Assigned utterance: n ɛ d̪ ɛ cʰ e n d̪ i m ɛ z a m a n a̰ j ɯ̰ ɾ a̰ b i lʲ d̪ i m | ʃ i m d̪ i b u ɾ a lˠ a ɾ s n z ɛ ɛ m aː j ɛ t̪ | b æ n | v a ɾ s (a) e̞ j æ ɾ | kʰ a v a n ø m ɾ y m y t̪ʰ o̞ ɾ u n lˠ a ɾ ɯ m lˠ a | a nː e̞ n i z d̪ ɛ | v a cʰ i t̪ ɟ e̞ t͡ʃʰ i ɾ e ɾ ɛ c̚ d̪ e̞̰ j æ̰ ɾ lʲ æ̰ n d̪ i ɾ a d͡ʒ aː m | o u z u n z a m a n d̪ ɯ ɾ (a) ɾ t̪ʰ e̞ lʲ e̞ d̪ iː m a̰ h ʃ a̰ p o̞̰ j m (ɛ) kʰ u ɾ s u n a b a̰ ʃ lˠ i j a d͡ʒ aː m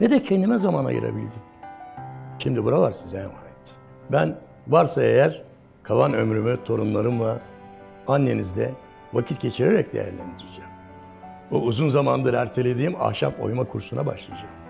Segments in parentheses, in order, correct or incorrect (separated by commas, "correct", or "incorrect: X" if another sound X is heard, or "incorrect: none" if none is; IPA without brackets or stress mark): correct, incorrect: æ, incorrect: a